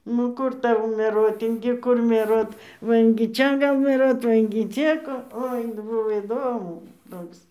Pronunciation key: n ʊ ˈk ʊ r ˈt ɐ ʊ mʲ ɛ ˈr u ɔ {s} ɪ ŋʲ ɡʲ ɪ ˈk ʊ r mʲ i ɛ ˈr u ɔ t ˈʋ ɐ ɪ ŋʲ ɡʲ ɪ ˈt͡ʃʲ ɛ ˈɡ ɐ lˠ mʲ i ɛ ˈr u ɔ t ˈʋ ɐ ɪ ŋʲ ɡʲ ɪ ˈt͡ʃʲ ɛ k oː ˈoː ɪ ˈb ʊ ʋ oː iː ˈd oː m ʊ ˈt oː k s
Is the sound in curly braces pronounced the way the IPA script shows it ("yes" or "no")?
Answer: no